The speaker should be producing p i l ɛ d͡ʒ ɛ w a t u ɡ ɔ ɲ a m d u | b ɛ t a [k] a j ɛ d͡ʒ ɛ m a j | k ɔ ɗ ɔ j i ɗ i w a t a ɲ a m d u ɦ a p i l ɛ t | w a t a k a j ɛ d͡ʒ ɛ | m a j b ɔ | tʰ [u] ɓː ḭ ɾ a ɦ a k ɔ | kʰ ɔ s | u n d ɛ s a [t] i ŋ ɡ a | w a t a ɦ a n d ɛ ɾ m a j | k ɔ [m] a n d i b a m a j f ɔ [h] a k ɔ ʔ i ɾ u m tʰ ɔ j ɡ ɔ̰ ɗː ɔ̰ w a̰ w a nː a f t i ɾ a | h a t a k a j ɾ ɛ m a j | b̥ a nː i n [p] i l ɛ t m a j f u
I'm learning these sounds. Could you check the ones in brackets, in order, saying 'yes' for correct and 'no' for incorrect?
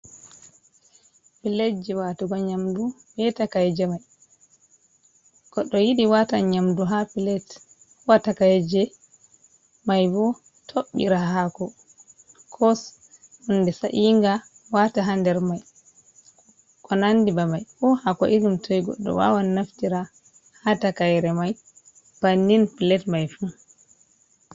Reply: yes, no, no, no, yes, yes

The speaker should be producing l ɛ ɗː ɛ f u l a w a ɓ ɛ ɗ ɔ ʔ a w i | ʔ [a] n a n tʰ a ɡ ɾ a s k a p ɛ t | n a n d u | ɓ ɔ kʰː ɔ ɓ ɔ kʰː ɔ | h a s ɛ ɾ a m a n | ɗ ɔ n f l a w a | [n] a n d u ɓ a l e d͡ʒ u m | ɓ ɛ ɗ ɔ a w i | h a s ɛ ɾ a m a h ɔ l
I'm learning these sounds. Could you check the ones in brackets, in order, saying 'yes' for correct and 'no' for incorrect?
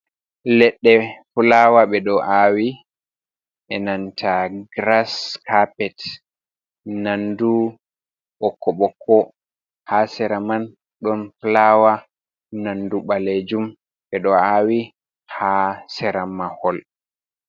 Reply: no, yes

